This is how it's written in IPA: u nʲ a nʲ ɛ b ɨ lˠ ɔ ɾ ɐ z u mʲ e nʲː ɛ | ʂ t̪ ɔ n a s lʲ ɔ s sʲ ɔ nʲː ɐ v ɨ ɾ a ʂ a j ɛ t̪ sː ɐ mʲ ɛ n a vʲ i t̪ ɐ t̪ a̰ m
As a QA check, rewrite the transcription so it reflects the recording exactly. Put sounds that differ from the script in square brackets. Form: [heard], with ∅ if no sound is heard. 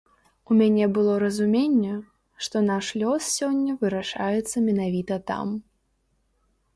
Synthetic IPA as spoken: u [mʲ] a nʲ ɛ b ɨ lˠ ɔ ɾ ɐ z u mʲ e nʲː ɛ | ʂ t̪ ɔ n a [ʂ] lʲ ɔ s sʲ ɔ nʲː ɐ v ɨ ɾ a ʂ a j ɛ t̪ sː ɐ mʲ ɛ n a vʲ i t̪ ɐ t̪ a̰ m